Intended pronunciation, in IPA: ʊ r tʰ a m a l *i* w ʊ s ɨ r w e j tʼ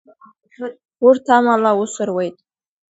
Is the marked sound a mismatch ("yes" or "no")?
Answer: yes